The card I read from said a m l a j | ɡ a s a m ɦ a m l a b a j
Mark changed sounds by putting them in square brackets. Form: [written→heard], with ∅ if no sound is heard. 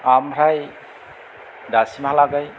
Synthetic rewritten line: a m [l→ɾ] a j | [ɡ→d] a s [a→i] m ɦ a [m→∅] l a [b→ɡ] a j